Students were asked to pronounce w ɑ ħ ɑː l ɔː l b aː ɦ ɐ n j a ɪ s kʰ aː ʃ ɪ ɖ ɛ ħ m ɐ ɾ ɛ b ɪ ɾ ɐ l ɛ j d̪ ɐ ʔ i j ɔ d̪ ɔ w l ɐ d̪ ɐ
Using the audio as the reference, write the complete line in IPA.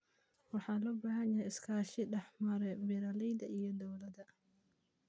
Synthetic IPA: w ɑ ħ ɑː l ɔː b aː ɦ ɐ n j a ɪ s kʰ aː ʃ ɪ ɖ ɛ ħ m ɐ ɾ ɛ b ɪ ɾ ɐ l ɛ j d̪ ɐ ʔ i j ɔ d̪ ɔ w l ɐ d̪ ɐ